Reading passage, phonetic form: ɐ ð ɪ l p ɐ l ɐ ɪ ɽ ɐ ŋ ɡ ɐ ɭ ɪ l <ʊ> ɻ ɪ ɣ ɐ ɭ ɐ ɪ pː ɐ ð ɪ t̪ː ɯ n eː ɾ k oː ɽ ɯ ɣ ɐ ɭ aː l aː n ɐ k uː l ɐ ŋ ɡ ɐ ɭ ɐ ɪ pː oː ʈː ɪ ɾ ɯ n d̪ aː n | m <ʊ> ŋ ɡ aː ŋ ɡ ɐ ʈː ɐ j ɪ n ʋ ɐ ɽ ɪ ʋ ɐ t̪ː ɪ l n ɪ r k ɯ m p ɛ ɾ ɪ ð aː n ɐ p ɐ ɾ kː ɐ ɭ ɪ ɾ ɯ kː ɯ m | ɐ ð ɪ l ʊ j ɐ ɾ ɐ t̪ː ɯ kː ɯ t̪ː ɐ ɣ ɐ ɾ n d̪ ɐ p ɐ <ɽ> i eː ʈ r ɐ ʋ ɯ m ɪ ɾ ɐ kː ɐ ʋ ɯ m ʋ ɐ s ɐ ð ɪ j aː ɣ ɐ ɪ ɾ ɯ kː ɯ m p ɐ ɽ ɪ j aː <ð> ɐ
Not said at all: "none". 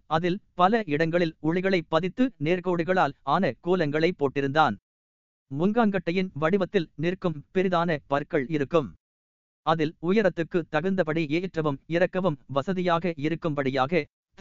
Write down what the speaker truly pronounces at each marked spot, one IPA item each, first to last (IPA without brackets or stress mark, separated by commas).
ʊ, ʊ, ɽ, ɣ